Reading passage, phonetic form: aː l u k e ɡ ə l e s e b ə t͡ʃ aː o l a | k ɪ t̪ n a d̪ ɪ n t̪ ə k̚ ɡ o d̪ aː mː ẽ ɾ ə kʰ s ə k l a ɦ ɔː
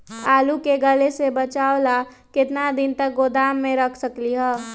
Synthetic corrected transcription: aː l u k e ɡ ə l e s e b ə t͡ʃ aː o l a | k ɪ t̪ n a d̪ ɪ n t̪ ə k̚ ɡ o d̪ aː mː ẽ ɾ ə kʰ s ə k l i ɦ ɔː